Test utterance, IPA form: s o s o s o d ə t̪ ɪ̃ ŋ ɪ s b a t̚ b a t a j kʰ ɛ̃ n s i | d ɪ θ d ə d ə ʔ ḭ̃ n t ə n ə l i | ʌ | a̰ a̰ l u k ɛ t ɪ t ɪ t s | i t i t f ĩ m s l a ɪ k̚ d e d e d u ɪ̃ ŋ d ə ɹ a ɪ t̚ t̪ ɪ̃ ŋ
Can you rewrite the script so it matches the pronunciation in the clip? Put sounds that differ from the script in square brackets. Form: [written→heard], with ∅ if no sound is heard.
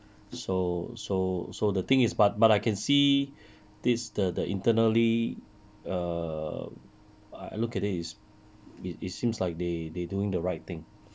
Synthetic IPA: s o s o s o d ə t̪ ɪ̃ ŋ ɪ s b a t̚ b a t a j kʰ ɛ̃ n s i | d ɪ [θ→s] d ə d ə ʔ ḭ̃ n t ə n ə l i | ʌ | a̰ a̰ l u k ɛ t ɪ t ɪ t s | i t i t [f→s] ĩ m s l a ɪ k̚ d e d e d u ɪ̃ ŋ d ə ɹ a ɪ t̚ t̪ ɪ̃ ŋ